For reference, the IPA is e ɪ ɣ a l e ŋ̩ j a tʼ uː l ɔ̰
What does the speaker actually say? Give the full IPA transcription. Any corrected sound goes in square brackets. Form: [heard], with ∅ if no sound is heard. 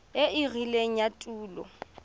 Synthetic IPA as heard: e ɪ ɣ [i] l e ŋ̩ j a tʼ uː l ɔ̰